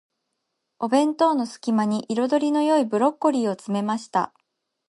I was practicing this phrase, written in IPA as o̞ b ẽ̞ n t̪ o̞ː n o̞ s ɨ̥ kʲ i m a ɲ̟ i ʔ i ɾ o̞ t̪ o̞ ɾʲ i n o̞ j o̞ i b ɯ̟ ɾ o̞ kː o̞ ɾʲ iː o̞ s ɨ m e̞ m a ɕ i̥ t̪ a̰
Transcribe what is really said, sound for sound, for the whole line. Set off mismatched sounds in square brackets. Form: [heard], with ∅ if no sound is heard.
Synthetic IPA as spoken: o̞ b ẽ̞ n t̪ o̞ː n o̞ s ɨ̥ kʲ i m a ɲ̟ i ʔ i ɾ o̞ [d̪] o̞ ɾʲ i n o̞ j o̞ i b ɯ̟ ɾ o̞ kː o̞ ɾʲ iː o̞ [t͡s] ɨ m e̞ m a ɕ i̥ t̪ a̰